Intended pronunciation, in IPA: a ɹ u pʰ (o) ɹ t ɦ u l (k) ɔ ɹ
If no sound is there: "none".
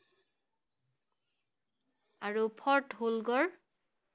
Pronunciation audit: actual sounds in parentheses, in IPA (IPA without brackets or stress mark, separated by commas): ɔ, ɡ